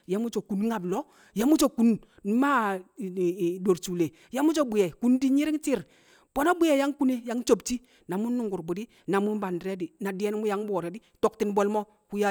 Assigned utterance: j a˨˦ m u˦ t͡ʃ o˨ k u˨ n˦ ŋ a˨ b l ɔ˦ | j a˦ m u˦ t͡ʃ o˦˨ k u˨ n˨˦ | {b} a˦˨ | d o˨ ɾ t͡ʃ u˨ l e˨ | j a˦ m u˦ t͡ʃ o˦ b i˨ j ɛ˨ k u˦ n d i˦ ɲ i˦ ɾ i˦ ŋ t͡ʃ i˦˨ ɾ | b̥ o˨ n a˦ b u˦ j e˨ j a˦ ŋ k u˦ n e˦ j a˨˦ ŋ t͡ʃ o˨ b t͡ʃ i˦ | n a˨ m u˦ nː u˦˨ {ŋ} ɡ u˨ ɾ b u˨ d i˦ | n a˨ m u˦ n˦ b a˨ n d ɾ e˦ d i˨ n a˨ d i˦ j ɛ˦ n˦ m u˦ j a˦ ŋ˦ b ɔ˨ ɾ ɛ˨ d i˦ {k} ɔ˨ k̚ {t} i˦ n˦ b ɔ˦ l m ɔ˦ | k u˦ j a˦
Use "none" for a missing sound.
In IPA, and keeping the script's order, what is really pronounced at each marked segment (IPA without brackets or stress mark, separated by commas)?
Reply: m, ŋ, t, t